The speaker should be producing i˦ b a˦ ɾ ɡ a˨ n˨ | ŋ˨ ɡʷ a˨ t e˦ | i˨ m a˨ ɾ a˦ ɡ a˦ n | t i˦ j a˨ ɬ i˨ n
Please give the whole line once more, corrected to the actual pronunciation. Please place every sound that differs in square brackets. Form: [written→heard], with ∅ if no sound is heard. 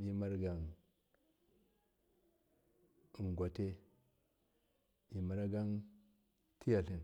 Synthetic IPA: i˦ [b→m] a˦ ɾ ɡ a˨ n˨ | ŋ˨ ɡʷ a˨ t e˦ | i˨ m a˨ ɾ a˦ ɡ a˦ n | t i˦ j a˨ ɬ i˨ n